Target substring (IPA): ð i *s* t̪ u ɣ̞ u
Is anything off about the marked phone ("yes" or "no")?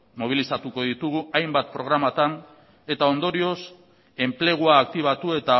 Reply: yes